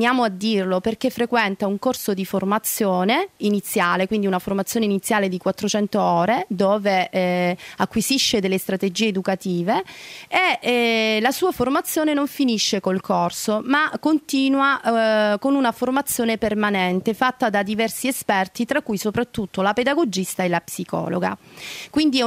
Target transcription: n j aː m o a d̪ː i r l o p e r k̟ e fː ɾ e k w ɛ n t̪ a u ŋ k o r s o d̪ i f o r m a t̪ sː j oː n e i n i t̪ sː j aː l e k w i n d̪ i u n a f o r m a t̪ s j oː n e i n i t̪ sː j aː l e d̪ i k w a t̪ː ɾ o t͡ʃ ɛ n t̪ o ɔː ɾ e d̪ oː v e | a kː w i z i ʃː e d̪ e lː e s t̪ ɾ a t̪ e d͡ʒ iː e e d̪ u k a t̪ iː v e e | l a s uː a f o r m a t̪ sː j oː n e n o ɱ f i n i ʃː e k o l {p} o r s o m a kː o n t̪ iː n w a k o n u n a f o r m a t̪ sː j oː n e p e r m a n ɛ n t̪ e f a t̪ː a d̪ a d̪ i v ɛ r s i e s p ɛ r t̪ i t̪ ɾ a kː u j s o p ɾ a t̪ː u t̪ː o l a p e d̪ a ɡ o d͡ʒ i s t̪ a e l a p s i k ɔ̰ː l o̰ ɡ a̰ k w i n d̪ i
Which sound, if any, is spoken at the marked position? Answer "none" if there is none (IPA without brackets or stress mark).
k